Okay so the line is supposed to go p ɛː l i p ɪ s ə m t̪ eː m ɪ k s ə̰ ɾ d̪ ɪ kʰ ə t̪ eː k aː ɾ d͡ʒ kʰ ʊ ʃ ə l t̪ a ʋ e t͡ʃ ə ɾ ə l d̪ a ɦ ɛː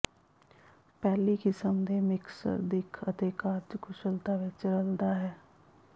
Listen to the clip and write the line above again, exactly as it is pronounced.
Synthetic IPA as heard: p ɛː l i k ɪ s ə m d̪ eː m ɪ k s ə̰ ɾ d̪ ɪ kʰ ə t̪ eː k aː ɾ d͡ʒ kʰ ʊ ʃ ə l t̪ a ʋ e t͡ʃ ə ɾ ə l d̪ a ɦ ɛː